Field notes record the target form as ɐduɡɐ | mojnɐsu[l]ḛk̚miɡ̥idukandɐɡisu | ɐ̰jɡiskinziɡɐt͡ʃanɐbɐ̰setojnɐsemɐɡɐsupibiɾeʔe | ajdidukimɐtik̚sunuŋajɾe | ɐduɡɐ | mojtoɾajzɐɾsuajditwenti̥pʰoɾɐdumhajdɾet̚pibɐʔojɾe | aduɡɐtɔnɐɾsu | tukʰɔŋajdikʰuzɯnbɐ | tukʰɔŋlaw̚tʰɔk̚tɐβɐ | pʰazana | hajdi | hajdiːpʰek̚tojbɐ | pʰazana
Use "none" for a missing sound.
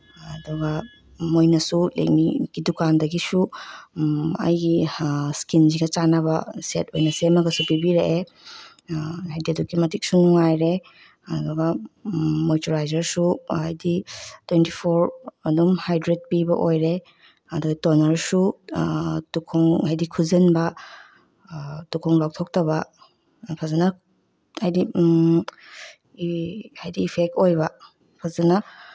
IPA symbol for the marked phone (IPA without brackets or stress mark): l